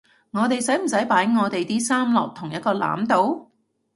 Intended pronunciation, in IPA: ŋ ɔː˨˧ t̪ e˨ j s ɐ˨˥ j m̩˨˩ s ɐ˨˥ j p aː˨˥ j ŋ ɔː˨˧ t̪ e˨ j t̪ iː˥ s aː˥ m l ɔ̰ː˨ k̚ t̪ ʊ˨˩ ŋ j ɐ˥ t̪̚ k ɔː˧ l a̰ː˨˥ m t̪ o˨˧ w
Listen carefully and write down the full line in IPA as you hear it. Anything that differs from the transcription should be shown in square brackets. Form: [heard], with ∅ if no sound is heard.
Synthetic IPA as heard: ŋ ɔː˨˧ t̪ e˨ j s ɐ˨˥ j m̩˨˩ s ɐ˨˥ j p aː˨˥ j ŋ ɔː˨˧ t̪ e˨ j t̪ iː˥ s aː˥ m l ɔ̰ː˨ k̚ [t̪ʰ] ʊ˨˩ ŋ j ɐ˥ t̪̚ k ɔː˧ l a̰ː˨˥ m t̪ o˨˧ w